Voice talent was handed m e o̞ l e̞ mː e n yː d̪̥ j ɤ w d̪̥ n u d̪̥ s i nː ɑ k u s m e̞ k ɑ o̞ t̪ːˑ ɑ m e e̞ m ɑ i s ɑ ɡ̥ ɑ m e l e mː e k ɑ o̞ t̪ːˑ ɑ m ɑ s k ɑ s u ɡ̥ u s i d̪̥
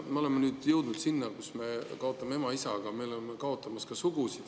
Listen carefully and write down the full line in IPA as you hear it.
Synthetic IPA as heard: m e o̞ l e̞ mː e n yː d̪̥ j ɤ w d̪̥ n u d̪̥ s i nː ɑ k u s m e̞ k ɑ o̞ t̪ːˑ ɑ m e e̞ m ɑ i s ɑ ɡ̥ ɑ m e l e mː e k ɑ o̞ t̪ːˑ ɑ m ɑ s k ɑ s u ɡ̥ u s i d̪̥